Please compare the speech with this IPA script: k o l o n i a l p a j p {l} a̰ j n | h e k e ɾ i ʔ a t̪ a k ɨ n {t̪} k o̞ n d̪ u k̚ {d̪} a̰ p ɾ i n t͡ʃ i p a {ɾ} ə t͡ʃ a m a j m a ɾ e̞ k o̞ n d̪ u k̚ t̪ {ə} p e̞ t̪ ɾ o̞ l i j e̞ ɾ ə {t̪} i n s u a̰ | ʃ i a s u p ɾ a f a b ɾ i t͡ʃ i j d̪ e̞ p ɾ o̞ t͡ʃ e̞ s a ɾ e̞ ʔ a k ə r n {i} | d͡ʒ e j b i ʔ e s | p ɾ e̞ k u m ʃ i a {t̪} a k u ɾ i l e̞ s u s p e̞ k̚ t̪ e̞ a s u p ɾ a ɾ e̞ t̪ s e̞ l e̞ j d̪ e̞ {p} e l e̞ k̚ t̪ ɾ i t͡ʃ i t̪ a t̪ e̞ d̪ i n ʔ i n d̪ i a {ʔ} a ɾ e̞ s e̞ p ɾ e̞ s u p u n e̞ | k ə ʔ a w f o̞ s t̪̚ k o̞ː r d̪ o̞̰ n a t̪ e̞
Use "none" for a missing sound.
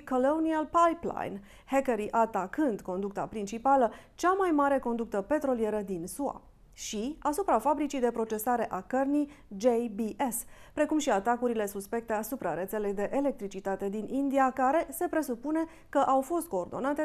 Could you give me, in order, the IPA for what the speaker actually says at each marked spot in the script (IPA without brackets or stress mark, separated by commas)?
l, d̪, t̪, l, ə, d̪, i, t̪, ʔ, k